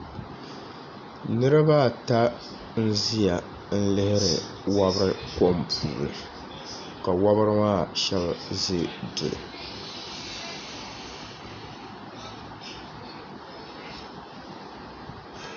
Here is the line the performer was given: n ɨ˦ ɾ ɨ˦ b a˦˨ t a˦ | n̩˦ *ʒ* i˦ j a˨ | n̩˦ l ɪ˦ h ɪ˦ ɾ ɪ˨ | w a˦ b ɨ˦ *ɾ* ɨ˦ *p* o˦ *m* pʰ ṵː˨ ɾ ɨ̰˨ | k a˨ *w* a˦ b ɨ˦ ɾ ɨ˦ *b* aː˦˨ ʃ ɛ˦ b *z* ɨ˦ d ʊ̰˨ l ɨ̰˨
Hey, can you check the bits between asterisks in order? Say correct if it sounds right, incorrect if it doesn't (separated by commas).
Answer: incorrect, correct, incorrect, correct, correct, incorrect, correct